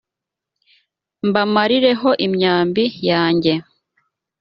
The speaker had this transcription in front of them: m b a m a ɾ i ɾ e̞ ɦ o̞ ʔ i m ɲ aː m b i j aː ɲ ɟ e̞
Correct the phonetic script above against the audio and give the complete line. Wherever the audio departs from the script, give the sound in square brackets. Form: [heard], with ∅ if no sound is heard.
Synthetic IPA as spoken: m b a m a ɾ i ɾ e̞ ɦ o̞ ʔ i m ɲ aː m b i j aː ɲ ɟ e̞